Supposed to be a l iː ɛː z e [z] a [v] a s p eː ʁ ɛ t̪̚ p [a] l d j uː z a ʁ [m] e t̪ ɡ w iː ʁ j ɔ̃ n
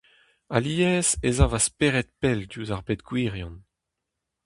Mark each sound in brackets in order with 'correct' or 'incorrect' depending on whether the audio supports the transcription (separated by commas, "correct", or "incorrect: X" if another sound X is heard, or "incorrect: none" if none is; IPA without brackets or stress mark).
correct, correct, incorrect: ɛ, incorrect: b